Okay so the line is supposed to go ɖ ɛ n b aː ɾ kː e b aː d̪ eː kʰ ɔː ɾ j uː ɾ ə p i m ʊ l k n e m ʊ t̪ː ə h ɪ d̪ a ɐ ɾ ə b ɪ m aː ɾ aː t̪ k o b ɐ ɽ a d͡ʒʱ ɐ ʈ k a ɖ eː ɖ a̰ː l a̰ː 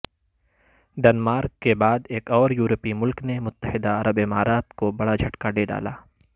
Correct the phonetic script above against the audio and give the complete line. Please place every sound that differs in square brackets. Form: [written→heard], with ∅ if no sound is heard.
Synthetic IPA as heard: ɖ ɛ n [b→m] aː ɾ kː e b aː d̪ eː [kʰ→k] ɔː ɾ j uː ɾ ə p i m ʊ l k n e m ʊ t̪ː ə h ɪ d̪ a ɐ ɾ ə b ɪ m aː ɾ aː t̪ k o b ɐ ɽ a d͡ʒʱ ɐ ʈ k a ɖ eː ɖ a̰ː l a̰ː